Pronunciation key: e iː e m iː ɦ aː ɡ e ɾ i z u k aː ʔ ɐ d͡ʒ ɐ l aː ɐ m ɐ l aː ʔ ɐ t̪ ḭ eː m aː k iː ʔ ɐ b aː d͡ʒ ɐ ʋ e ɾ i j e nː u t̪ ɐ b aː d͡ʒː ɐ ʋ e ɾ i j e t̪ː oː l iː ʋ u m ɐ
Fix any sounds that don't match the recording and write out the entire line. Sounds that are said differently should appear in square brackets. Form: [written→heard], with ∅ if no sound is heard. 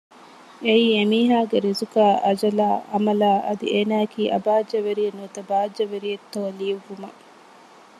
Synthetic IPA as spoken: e iː e m iː ɦ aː ɡ e ɾ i z u k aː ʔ ɐ d͡ʒ ɐ l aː ɐ m ɐ l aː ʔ ɐ [t̪→d̪] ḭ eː [m→n] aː k iː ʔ ɐ b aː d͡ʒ ɐ ʋ e ɾ i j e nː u t̪ ɐ b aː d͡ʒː ɐ ʋ e ɾ i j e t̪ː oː l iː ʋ u m ɐ